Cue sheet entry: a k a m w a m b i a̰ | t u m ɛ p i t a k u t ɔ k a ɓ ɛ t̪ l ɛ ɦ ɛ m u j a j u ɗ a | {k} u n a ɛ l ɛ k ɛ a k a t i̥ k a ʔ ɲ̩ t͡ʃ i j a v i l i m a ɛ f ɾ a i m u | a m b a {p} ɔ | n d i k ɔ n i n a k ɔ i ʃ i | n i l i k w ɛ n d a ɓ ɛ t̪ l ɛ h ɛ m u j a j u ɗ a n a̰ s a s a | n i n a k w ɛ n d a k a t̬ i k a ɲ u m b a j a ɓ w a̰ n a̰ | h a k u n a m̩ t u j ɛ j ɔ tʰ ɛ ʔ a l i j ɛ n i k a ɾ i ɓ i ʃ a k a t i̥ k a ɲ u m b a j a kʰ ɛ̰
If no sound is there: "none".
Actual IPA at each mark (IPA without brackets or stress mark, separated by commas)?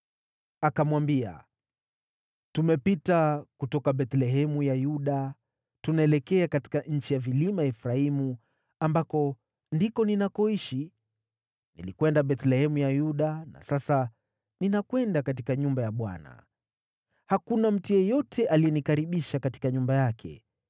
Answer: t, k